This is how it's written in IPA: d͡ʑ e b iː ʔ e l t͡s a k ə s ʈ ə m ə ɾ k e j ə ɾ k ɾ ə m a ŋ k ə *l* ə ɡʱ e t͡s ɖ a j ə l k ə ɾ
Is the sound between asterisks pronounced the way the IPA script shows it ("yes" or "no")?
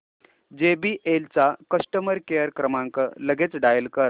yes